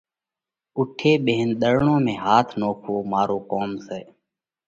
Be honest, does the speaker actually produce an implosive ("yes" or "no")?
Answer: yes